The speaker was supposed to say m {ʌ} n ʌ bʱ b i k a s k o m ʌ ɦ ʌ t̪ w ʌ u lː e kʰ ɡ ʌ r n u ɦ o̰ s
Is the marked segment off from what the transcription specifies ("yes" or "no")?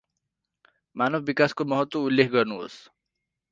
yes